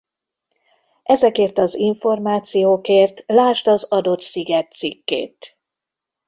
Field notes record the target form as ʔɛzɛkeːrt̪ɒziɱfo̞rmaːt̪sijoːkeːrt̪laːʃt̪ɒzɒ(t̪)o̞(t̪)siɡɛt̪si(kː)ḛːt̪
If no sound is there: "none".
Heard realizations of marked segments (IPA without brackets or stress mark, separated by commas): d̪, t̪, kː